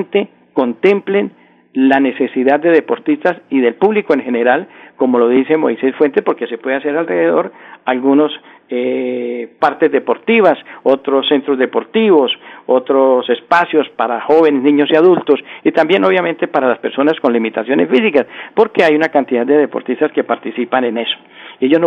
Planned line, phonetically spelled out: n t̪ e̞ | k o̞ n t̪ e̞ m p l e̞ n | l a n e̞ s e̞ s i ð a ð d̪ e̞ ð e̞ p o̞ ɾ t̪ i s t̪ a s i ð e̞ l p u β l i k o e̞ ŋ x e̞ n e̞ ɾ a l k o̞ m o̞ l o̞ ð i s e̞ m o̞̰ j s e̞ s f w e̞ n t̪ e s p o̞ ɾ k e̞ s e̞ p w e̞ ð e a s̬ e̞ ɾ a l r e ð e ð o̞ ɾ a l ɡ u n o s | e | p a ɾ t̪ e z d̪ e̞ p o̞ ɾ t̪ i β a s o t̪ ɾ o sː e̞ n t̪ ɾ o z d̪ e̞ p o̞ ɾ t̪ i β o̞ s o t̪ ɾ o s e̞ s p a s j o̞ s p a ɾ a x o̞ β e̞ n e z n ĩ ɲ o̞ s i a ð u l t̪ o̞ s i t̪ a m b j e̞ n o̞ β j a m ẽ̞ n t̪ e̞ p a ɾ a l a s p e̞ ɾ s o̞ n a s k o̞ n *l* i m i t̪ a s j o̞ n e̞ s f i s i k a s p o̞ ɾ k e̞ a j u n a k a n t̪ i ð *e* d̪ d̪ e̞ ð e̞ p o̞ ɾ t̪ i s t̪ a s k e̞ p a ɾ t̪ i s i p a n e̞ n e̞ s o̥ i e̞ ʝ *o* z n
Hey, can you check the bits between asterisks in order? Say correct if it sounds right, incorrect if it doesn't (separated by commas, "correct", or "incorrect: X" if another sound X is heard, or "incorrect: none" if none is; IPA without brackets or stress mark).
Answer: correct, incorrect: a, correct